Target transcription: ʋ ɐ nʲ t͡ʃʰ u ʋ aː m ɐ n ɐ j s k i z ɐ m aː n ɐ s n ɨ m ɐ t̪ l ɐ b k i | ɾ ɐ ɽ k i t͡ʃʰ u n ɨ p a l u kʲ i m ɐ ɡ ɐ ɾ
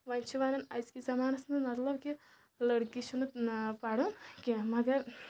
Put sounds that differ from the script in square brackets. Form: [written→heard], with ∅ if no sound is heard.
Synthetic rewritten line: ʋ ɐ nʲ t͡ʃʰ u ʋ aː [m→n] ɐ n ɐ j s k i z ɐ m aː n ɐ s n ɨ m ɐ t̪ l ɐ b k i | [ɾ→l] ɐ ɽ k i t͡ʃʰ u n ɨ p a [l→ɽ] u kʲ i m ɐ ɡ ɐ ɾ